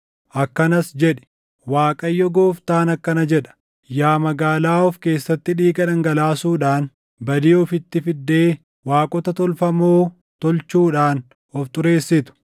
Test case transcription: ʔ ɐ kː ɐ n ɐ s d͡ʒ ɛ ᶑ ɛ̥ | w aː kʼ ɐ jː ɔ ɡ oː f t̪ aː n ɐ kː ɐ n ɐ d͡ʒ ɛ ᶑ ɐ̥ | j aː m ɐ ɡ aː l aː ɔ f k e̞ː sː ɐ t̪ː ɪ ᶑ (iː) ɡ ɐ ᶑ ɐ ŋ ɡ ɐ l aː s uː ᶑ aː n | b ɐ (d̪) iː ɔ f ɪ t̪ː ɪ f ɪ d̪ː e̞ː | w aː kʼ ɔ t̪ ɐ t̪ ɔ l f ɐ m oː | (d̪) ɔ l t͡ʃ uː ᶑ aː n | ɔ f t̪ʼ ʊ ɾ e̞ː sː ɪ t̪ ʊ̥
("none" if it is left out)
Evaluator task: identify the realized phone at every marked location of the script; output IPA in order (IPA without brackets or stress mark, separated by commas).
iː, d̪, t̪